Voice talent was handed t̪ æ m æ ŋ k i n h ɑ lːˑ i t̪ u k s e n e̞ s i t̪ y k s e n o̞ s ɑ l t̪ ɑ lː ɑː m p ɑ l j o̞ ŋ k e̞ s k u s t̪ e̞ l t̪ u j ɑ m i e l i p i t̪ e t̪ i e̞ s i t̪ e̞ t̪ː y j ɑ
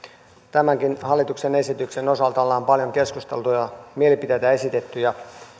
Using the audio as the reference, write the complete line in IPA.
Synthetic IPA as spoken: t̪ æ m æ ŋ k i n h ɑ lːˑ i t̪ u k s e n e̞ s i t̪ y k s e n o̞ s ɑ l t̪ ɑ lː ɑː m p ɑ l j o̞ ŋ k e̞ s k u s t̪ e̞ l t̪ u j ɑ m i e l i p i t̪ e t̪ æ e̞ s i t̪ e̞ t̪ː y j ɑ